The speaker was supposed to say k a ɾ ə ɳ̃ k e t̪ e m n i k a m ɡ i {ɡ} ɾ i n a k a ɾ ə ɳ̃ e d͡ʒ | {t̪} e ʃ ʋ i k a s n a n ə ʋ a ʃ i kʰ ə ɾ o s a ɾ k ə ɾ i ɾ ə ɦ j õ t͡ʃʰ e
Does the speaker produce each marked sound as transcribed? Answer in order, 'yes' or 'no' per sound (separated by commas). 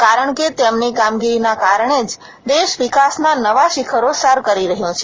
no, no